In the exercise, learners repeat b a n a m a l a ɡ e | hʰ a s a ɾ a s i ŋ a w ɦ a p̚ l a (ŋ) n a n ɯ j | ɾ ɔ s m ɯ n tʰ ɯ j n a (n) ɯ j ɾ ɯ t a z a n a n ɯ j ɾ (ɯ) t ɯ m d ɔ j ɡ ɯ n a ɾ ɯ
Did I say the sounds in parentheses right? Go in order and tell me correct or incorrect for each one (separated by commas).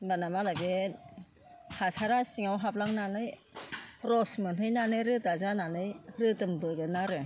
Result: correct, correct, correct